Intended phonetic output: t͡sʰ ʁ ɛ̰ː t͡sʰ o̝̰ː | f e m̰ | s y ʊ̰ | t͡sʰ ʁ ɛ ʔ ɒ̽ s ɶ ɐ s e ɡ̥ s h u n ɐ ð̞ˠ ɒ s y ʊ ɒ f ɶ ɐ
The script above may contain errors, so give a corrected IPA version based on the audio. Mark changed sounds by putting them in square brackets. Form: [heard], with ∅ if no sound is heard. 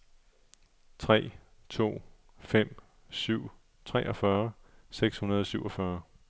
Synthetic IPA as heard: t͡sʰ ʁ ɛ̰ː t͡sʰ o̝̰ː | f e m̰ | s y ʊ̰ | t͡sʰ ʁ ɛ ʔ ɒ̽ [f] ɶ ɐ s e ɡ̥ s h u n ɐ ð̞ˠ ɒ s y ʊ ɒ f ɶ ɐ